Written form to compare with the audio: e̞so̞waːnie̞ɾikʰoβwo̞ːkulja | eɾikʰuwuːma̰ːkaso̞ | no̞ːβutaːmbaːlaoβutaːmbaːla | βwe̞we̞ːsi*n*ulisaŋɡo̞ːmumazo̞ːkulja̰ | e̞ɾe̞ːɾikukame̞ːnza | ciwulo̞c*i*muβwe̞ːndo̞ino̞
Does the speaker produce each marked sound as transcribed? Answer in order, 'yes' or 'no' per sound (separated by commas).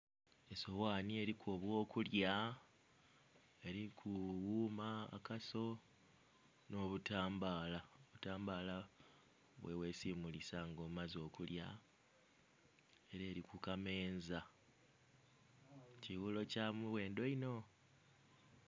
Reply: no, no